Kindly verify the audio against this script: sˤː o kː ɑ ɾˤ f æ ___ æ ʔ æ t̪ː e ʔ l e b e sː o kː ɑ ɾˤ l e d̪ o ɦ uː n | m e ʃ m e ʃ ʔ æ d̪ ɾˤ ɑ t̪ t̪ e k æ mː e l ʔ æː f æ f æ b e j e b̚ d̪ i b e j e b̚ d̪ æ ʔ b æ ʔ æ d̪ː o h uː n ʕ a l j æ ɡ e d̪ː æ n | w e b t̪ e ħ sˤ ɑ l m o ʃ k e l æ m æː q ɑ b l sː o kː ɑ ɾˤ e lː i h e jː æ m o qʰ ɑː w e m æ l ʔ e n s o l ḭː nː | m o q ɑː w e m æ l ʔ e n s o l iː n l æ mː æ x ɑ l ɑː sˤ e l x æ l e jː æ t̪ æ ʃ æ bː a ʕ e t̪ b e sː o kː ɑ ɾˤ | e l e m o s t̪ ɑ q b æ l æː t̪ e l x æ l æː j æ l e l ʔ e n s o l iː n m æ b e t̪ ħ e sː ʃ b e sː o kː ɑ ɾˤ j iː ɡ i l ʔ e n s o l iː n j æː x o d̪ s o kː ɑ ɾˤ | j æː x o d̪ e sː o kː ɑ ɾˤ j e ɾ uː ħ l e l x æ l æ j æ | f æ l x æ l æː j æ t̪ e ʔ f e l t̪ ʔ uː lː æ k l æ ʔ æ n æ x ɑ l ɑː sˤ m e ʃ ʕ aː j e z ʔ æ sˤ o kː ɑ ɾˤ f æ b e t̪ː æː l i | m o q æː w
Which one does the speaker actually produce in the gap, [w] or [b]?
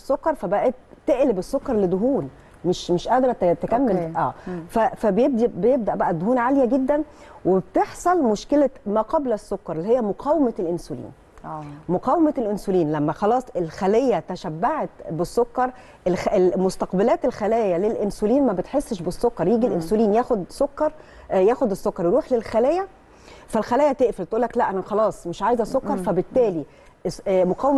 b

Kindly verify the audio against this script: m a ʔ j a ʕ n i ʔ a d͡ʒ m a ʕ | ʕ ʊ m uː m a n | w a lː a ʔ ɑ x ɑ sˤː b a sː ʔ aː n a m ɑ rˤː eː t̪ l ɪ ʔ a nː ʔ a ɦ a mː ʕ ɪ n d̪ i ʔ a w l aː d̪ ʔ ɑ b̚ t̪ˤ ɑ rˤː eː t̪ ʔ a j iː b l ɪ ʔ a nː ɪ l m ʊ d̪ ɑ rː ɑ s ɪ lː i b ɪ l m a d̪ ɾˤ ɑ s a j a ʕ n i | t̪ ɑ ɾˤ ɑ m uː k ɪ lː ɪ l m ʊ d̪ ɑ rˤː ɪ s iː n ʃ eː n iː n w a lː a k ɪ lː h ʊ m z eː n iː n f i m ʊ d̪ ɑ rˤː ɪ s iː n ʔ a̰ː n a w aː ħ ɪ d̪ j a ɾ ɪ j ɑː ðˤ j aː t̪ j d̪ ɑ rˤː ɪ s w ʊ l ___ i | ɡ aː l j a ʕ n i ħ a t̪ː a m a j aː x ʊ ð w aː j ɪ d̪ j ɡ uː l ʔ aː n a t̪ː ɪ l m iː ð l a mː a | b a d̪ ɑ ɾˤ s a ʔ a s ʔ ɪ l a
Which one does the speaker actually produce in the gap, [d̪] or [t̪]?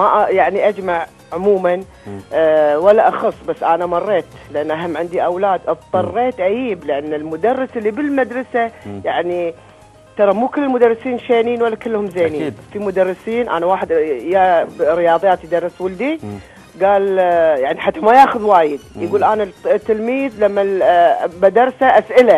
d̪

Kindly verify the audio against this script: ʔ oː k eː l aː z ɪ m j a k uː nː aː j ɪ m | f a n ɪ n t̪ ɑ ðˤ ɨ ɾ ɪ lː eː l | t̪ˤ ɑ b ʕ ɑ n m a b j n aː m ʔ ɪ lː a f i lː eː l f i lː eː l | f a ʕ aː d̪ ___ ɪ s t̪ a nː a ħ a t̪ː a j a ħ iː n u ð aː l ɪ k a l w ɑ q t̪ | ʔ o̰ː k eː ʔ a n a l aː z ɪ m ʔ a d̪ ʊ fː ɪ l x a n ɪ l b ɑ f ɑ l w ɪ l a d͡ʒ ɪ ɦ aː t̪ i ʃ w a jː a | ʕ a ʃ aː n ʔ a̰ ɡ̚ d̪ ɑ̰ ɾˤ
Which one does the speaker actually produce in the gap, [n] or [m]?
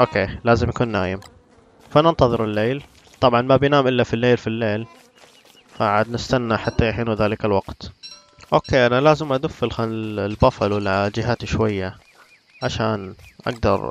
n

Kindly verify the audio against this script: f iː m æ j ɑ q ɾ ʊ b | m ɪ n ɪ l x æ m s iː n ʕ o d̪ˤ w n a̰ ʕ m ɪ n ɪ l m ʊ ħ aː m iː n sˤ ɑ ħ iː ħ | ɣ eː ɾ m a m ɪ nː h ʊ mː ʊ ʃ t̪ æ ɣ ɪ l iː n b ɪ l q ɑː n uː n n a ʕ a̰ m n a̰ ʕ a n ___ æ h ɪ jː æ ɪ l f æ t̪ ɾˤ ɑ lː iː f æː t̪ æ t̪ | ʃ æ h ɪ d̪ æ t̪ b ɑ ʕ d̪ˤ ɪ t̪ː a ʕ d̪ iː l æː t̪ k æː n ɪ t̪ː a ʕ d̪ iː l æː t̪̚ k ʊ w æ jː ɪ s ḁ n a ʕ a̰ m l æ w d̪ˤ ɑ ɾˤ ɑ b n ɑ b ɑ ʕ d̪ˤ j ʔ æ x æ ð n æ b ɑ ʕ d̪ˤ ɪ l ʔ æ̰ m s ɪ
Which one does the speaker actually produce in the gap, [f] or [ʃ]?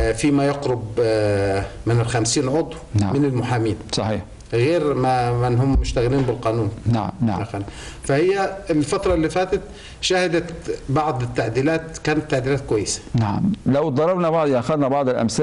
f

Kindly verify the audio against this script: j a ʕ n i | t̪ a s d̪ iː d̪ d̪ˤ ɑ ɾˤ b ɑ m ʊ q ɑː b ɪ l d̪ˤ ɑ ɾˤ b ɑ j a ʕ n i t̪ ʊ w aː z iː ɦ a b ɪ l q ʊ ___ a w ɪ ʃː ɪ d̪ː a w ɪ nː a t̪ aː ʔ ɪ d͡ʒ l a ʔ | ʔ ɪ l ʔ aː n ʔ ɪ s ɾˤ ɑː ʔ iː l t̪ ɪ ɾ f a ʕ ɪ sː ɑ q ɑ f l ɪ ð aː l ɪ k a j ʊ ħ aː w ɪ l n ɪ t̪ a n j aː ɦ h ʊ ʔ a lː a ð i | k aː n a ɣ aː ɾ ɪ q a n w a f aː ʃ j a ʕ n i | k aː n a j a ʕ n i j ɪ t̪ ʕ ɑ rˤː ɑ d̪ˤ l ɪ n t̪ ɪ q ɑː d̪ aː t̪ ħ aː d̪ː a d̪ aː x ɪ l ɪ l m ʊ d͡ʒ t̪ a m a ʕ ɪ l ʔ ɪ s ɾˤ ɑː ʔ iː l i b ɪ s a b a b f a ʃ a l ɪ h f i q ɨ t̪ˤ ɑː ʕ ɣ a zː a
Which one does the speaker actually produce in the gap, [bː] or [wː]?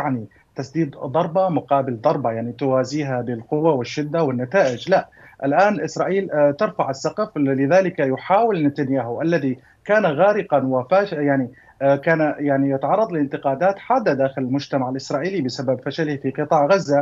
wː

